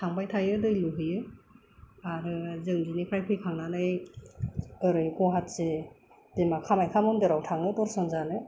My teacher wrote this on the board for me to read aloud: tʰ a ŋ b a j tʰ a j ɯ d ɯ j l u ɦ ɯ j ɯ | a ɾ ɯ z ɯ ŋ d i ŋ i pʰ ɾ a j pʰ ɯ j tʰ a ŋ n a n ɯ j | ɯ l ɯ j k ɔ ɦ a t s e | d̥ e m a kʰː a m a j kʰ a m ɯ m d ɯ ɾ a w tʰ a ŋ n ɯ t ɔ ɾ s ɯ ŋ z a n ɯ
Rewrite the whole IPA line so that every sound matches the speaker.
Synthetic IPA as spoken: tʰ a ŋ b a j tʰ a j ɯ d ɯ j l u ɦ ɯ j ɯ | a ɾ ɯ z ɯ ŋ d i n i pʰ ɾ a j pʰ ɯ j kʰ a ŋ n a n ɯ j | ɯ ɾ ɯ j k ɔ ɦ a t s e | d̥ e m a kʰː a m a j kʰ a m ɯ m d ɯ ɾ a w tʰ a ŋ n ɯ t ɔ ɾ s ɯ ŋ z a n ɯ